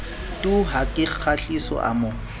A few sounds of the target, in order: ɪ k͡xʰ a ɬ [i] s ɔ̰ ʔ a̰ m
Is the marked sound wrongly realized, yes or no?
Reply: no